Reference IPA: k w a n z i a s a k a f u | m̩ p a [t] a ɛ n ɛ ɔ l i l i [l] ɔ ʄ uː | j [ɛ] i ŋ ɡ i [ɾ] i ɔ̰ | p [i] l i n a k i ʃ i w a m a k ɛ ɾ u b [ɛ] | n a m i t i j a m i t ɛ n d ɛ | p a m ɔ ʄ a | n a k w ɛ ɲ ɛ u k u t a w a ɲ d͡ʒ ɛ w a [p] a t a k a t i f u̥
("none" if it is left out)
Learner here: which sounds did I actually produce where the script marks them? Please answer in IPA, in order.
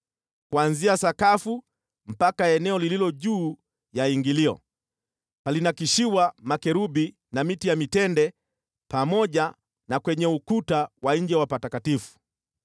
k, l, a, l, a, i, p

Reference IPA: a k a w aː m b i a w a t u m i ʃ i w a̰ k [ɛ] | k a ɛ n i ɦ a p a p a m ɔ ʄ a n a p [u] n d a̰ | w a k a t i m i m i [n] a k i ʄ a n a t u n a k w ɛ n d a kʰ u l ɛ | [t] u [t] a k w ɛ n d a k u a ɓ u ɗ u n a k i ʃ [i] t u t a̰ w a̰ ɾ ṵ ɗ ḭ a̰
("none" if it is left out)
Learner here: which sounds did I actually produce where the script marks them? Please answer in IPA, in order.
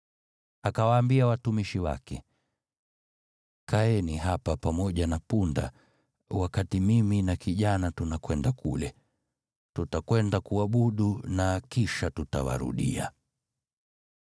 ɛ, u, n, t, t, a

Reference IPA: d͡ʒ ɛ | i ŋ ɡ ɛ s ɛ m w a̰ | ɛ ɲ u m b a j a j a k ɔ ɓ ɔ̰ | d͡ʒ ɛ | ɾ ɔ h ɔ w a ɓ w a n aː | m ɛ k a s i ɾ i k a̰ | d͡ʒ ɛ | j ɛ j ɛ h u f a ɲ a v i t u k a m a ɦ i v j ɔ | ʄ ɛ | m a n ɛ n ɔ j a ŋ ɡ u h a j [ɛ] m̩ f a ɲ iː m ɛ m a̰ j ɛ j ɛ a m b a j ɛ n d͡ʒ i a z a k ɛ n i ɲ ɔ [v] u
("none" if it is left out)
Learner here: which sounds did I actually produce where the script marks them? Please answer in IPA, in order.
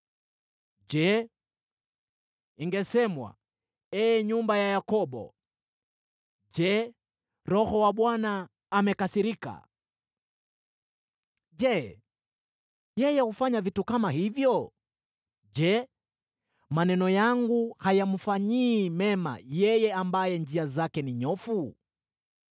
a, f

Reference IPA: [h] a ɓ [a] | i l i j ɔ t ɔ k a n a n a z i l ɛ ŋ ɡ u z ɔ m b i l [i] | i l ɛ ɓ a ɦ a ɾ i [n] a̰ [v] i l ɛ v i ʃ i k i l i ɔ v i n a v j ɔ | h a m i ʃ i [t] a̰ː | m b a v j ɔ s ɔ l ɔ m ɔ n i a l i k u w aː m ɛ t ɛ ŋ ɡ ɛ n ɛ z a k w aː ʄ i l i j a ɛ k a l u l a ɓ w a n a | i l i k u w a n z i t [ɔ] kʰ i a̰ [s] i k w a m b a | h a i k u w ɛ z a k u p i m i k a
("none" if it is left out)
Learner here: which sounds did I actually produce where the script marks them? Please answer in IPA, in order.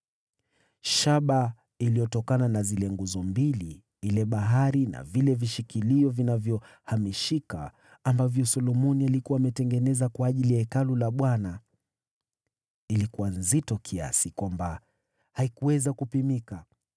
ʃ, a, i, n, v, k, ɔ, s

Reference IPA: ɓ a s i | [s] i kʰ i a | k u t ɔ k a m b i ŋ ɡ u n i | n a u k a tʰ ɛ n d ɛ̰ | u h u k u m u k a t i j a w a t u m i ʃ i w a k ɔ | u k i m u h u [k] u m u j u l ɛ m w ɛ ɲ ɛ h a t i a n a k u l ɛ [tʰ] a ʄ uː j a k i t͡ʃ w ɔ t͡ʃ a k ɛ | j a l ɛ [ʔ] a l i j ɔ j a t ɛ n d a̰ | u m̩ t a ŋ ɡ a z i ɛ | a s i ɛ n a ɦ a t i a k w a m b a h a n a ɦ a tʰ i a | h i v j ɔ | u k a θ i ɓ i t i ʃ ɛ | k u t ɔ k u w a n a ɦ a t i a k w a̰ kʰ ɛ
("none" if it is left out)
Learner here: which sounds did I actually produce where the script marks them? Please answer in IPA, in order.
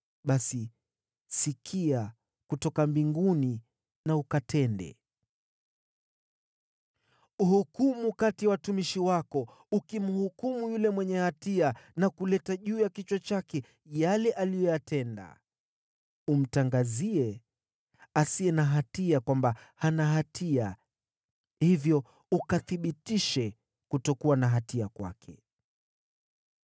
s, k, t, ʔ

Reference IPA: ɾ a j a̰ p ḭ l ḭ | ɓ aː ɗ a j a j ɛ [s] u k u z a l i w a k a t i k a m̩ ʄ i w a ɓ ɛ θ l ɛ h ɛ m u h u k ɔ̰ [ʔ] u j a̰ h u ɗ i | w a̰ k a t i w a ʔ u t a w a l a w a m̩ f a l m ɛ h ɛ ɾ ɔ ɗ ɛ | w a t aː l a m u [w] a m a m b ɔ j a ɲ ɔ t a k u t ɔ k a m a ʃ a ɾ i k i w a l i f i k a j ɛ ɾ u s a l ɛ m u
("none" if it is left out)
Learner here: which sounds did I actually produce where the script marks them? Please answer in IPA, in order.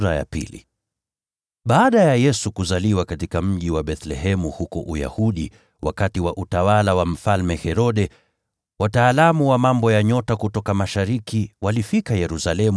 s, ʔ, w

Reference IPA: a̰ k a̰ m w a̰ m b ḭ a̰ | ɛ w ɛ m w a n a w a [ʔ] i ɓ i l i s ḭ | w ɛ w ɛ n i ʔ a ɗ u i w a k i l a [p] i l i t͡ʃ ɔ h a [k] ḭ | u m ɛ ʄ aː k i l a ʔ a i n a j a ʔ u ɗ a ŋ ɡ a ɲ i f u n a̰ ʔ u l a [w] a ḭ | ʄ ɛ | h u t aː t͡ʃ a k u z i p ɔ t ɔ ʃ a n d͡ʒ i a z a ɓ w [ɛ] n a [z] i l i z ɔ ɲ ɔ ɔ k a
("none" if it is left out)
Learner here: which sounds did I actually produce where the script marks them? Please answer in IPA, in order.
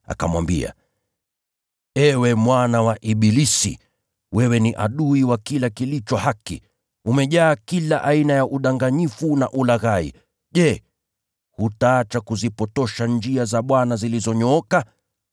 ʔ, k, k, ɣ, a, z

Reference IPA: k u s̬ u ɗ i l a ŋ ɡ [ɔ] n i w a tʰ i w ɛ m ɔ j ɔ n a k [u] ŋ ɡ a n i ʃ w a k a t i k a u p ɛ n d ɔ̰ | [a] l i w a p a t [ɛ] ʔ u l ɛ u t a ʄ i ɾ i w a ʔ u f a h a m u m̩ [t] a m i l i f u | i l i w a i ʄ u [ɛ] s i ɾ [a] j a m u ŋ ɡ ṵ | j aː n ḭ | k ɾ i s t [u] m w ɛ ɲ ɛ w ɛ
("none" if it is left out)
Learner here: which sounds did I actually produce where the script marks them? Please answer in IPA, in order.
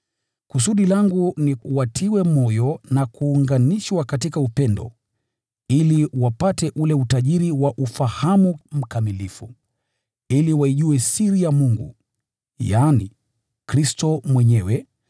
u, uː, i, ɛ, k, ɛ, i, ɔ

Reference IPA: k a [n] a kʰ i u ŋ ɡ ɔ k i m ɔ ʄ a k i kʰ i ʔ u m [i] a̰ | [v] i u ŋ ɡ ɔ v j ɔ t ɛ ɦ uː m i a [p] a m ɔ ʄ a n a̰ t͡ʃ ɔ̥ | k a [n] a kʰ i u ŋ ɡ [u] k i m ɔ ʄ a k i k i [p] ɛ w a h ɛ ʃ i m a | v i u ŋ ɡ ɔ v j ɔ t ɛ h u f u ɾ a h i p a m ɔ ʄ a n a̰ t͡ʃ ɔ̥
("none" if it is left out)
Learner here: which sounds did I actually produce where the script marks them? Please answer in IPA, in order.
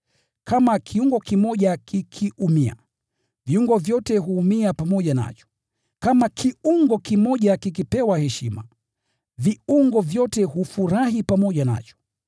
m, i, v, p, m, ɔ, p

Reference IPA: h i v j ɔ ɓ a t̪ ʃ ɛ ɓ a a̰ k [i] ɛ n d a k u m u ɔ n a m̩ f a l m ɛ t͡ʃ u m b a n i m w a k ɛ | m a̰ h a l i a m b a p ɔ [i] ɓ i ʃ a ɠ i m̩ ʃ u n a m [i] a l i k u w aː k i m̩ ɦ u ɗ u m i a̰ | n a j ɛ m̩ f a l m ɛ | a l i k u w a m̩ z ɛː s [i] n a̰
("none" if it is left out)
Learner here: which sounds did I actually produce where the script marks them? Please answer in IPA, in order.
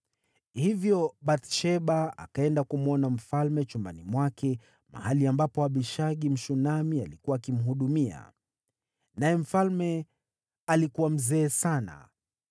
a, a, i, a

